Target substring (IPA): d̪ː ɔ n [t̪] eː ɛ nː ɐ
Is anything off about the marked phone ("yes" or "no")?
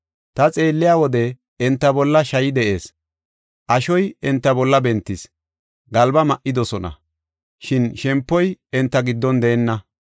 yes